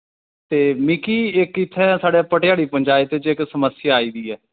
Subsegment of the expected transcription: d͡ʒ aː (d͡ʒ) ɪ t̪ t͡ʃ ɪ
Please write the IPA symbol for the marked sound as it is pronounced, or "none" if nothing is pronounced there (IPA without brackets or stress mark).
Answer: none